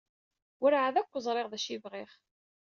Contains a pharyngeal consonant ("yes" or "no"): yes